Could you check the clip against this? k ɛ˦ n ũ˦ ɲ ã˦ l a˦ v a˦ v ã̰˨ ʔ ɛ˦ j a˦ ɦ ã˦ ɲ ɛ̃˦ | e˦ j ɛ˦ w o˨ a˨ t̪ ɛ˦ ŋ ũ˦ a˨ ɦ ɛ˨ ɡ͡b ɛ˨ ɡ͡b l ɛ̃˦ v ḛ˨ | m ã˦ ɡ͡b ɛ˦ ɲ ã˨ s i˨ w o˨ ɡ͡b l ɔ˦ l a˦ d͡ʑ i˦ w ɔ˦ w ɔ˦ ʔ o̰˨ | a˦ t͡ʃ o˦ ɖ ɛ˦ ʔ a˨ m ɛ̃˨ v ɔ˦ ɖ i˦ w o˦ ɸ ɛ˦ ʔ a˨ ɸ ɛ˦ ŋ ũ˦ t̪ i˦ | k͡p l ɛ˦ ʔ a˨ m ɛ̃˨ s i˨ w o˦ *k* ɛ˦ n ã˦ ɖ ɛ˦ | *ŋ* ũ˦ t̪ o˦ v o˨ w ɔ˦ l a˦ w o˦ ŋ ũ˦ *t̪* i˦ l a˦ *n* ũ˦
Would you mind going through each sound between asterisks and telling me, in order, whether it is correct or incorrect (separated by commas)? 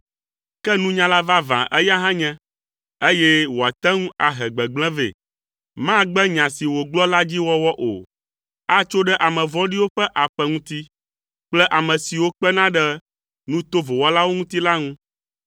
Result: incorrect, incorrect, correct, incorrect